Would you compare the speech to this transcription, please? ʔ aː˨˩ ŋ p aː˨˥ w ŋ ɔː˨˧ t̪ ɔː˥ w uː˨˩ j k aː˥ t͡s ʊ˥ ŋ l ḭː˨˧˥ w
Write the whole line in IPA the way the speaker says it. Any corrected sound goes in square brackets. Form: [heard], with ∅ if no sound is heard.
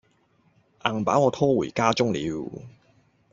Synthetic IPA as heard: ʔ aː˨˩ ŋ p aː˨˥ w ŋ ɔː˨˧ [t̪ʰ] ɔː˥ w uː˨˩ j k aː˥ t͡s ʊ˥ ŋ l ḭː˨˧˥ w